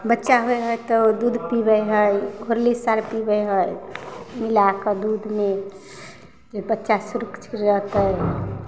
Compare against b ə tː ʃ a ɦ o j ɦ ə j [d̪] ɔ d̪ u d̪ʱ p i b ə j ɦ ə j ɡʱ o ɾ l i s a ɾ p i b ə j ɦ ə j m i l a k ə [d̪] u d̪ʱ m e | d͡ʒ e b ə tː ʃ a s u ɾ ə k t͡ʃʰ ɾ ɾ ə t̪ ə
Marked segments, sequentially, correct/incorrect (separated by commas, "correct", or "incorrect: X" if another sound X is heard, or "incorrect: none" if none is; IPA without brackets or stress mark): incorrect: t̪, correct